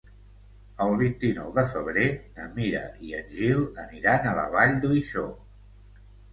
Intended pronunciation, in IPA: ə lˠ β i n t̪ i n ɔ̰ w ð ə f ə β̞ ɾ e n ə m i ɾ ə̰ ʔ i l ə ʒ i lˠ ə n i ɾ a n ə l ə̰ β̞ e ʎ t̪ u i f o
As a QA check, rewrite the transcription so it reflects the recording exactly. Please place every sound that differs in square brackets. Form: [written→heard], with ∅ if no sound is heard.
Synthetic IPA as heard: ə lˠ β i n t̪ i n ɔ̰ w ð ə f ə β̞ ɾ e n ə m i ɾ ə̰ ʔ i [l→∅] ə ʒ i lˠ ə n i ɾ a n ə l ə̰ β̞ [e→a] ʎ [t̪→d̪] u i [f→ʃ] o

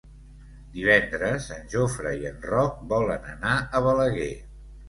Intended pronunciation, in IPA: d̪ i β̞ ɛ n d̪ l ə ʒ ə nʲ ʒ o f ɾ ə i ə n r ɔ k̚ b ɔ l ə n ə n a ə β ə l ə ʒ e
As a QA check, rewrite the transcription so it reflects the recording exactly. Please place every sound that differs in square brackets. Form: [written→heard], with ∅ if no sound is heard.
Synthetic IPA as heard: d̪ i β̞ ɛ n d̪ [l→ɾ] ə [ʒ→z] ə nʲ ʒ o f ɾ ə i ə n r ɔ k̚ b ɔ l ə n ə n a ə β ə l ə [ʒ→ɣ] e

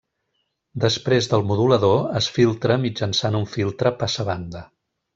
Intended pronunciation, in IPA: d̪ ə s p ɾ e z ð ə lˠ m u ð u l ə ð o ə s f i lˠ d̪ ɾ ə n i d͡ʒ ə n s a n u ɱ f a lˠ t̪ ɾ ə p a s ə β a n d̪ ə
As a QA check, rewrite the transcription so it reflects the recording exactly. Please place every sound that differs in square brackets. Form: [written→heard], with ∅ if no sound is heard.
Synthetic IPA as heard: d̪ ə s p ɾ e z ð ə lˠ m u ð u l ə ð o ə s f i lˠ [d̪→t̪] ɾ ə [n→m] i d͡ʒ ə n s a n u ɱ f [a→i] lˠ t̪ ɾ ə p a s ə β a n d̪ ə

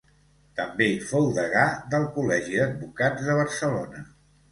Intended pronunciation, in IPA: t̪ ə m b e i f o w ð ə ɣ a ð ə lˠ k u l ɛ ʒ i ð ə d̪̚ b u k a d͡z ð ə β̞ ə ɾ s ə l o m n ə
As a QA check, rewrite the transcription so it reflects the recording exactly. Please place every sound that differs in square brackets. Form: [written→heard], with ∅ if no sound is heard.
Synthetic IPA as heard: t̪ ə m b e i f o w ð ə ɣ a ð ə lˠ k u l ɛ ʒ i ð ə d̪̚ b u k a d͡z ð ə β̞ ə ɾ s ə l o [m→∅] n ə

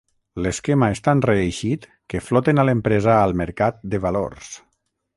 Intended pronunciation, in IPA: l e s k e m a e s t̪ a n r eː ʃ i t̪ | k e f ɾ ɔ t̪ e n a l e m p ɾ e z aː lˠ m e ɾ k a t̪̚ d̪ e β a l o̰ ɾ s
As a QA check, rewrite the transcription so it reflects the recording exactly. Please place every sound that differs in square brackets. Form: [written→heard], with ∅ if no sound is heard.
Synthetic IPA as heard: l e s k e m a e s t̪ a n r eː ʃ i t̪ | k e f [ɾ→l] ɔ t̪ e n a l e m p ɾ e z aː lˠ m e ɾ k a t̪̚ d̪ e β a l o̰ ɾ s

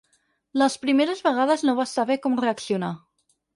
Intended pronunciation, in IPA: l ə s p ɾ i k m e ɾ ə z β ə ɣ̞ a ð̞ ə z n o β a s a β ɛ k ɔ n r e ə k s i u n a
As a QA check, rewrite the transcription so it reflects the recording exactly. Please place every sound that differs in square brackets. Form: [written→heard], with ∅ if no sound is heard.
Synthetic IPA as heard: l ə s p ɾ i [k→∅] m e ɾ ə z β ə ɣ̞ a ð̞ ə z n o β a s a β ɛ k ɔ [n→m] r e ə k s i u n a

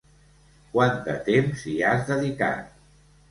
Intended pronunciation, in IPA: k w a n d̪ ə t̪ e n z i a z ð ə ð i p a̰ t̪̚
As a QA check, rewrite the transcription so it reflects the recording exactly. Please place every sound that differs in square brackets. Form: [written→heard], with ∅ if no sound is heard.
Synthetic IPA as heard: k w a n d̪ ə t̪ e [n→m] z i a z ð ə ð i [p→k] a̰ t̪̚

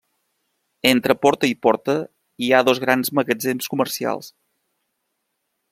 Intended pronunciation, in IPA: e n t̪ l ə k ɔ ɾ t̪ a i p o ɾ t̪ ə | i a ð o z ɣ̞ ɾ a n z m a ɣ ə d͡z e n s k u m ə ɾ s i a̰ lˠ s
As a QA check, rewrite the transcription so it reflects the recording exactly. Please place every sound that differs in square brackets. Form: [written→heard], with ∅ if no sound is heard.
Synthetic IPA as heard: e n t̪ [l→ɾ] ə [k→p] ɔ ɾ t̪ [a→ə] i p [o→ɔ] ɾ t̪ ə | i a ð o z ɣ̞ ɾ a n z m [a→ə] ɣ ə d͡z e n s k u m ə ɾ s i a̰ lˠ s

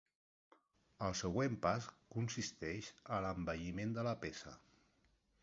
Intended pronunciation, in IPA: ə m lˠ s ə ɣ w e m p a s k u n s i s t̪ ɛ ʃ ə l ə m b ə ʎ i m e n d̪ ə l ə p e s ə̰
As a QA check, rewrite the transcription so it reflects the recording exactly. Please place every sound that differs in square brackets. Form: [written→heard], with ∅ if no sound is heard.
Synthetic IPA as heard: ə [m→∅] lˠ s ə ɣ w e m p a s k u n s i s t̪ ɛ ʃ ə l ə m b ə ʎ i m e n d̪ ə l ə p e s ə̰

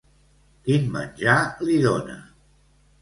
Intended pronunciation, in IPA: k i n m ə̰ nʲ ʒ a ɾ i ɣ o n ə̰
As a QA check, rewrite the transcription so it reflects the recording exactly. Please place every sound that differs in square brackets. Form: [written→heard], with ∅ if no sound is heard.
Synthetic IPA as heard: k i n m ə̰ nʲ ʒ a [ɾ→l] i [ɣ→ð] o n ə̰

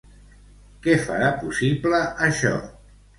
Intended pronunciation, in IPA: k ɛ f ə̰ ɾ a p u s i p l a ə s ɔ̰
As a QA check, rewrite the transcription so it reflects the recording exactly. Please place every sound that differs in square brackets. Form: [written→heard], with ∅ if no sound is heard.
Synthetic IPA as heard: k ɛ f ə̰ ɾ a p u s i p l [a→ə] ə [s→ʃ] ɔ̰

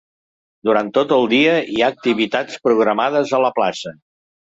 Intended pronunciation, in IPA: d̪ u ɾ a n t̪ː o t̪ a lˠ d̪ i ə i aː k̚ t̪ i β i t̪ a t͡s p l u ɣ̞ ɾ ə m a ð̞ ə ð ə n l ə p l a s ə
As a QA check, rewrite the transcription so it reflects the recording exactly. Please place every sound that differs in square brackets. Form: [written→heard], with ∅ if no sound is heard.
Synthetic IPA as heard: d̪ u ɾ a n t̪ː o t̪ [a→ə] lˠ d̪ i ə i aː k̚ t̪ i β i t̪ a t͡s p [l→ɾ] u ɣ̞ ɾ ə m a ð̞ ə [ð→z] ə [n→∅] l ə p l a s ə

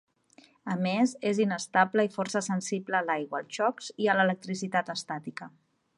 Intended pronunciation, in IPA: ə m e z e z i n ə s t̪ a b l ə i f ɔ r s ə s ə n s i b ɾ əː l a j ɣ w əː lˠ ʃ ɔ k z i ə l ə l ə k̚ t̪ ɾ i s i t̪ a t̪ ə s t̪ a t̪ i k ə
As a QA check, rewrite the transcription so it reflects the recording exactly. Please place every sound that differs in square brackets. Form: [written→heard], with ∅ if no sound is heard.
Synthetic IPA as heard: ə m e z e z i n ə s t̪ a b l ə i f ɔ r s ə s ə n s i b [ɾ→l] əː l a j ɣ w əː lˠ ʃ ɔ k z i ə l ə l ə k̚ t̪ ɾ i s i t̪ a t̪ ə s t̪ a t̪ i k ə

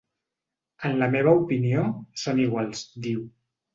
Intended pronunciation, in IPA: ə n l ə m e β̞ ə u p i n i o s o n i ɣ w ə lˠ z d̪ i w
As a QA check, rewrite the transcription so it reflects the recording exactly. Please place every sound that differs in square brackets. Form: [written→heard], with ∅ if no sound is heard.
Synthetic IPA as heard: ə n l ə m e β̞ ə u p i n i o s o n i ɣ w [ə→a] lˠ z d̪ i w

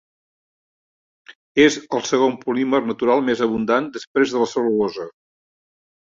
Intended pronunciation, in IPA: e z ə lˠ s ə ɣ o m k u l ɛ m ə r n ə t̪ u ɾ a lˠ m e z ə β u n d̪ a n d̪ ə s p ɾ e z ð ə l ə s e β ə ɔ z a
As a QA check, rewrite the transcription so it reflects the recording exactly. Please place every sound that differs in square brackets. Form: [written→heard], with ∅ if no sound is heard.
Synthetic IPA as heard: e z ə lˠ s ə ɣ o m [k→p] u l [ɛ→i] m ə r n ə t̪ u ɾ a lˠ m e z ə β u n d̪ a n d̪ ə s p ɾ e z ð ə l ə s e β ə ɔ z [a→ə]

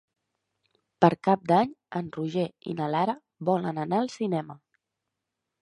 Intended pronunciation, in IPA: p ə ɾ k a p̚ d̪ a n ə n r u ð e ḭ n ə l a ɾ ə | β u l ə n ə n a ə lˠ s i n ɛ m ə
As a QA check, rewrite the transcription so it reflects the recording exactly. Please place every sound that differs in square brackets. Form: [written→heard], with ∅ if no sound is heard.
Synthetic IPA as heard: p ə ɾ k a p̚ d̪ a [n→ɲ] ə n r u [ð→ʒ] e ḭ n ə l a ɾ ə | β [u→ɔ] l ə n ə n a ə lˠ s i n ɛ m ə

